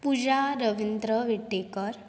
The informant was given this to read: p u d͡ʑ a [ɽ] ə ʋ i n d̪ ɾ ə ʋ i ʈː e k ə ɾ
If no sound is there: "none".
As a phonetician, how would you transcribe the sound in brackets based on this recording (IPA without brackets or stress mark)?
ɾ